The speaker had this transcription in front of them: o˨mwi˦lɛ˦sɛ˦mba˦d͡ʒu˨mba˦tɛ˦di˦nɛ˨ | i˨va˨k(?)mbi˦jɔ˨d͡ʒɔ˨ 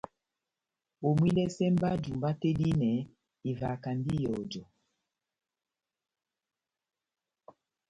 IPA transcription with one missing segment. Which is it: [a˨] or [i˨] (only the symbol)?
a˨